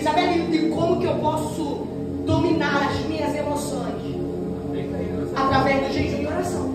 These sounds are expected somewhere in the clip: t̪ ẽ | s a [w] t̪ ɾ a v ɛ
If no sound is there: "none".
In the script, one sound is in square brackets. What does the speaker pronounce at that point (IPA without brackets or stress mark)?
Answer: none